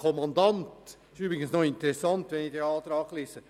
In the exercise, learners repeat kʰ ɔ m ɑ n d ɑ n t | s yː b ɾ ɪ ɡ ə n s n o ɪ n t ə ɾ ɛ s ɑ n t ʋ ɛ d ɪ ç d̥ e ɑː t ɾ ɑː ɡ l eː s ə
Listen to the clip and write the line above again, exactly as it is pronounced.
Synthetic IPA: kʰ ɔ m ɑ n d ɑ n t | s yː b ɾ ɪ ɡ ə n s n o ɪ n t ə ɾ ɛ s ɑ n t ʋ ɛ n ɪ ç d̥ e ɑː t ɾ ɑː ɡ l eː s ə